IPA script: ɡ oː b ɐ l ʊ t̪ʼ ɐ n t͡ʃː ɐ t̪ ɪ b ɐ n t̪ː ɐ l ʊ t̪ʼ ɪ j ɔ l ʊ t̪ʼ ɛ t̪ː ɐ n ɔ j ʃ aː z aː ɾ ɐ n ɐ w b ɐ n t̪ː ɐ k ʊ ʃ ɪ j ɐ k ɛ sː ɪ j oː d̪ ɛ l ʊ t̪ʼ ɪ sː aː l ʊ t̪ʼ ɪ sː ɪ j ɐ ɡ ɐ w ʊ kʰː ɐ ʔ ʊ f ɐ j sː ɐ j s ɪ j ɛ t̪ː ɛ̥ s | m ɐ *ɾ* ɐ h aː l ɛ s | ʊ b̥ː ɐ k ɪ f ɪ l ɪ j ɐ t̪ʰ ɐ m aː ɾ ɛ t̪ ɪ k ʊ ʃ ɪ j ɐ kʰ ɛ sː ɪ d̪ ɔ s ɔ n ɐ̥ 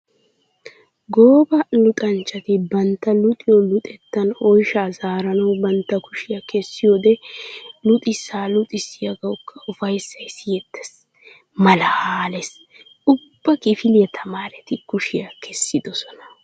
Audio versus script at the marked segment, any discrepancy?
yes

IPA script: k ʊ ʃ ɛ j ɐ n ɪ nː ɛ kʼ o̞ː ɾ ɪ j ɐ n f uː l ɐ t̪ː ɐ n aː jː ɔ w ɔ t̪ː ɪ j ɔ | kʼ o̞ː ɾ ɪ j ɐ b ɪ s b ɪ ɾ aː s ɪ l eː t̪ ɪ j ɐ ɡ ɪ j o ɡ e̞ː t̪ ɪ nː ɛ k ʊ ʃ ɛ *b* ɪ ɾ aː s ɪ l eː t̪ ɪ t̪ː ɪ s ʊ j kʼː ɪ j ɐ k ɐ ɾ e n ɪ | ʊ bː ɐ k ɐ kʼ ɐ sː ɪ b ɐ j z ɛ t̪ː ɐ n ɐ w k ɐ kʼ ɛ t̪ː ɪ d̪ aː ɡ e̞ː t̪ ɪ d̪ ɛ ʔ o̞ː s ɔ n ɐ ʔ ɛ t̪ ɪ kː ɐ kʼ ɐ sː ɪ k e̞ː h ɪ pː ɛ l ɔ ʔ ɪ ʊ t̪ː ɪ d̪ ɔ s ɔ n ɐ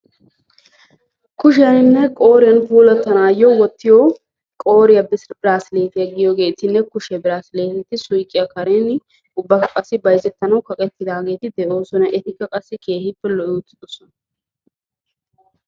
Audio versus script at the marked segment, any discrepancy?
no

